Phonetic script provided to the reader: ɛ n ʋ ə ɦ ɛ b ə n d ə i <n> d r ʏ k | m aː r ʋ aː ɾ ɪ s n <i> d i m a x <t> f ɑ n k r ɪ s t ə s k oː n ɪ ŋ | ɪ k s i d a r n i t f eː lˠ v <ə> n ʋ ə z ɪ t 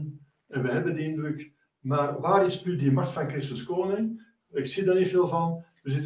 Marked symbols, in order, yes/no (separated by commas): yes, no, yes, no